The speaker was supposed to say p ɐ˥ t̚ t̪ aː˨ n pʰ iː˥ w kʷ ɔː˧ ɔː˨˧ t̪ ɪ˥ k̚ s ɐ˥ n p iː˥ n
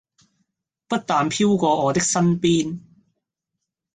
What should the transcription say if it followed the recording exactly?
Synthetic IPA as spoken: p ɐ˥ t̚ t̪ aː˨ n pʰ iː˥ w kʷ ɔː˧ ɔː˨˧ t̪ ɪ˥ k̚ s ɐ˥ n p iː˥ n